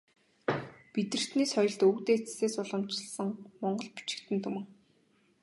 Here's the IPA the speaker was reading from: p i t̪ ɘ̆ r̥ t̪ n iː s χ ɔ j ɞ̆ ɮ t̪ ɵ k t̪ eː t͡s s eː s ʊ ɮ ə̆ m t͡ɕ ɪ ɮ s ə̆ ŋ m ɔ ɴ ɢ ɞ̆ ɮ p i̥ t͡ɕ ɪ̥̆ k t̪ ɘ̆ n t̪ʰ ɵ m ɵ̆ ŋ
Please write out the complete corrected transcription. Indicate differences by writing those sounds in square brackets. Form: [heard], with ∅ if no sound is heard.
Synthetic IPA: p i t̪ ɘ̆ r̥ t̪ n iː s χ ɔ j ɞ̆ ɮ t̪ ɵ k t̪ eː t͡s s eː s ʊ ɮ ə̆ m t͡ɕ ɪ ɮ s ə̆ ŋ m ɔ ɴ ɢ ɞ̆ ɮ p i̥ t͡ɕ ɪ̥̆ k t̪ ɘ̆ n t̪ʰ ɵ m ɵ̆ ŋ